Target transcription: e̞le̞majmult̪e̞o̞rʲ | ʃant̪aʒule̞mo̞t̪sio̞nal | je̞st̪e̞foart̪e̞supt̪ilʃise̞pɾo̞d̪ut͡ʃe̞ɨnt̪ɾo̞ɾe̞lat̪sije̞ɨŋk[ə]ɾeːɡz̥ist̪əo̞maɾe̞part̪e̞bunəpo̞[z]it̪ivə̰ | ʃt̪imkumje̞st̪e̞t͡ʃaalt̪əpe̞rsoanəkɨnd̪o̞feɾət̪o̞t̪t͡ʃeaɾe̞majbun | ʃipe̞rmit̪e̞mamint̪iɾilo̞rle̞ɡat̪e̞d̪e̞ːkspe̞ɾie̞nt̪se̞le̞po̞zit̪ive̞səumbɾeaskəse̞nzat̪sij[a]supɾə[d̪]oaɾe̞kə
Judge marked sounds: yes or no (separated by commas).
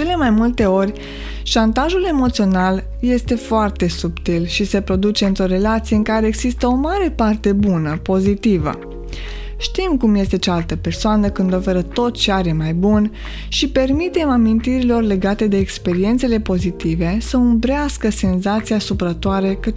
no, yes, yes, no